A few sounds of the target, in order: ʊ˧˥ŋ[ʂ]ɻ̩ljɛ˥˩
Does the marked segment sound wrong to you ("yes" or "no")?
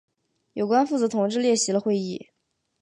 yes